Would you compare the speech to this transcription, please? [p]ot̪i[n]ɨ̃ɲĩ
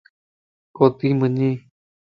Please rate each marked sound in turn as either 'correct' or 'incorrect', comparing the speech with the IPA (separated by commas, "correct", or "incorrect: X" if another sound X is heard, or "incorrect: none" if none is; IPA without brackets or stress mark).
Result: incorrect: k, incorrect: m